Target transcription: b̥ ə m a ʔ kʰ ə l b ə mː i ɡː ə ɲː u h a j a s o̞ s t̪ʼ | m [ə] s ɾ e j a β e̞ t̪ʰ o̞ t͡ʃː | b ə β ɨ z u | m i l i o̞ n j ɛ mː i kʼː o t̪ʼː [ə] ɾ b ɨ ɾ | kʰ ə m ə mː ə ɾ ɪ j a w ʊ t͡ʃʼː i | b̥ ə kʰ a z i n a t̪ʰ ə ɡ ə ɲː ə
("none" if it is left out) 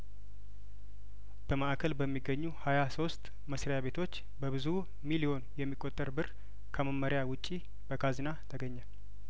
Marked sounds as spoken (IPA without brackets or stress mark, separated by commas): ə, ə